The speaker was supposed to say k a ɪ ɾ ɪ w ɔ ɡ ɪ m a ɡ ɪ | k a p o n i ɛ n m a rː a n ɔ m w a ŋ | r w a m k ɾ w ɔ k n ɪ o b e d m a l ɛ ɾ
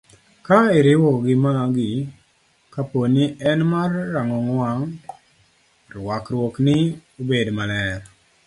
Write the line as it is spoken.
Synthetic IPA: k a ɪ ɾ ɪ w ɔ ɡ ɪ m a ɡ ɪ | k a p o n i ɛ n m a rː a ŋ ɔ ŋ w a ŋ | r w a k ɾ w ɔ k n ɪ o b e d m a l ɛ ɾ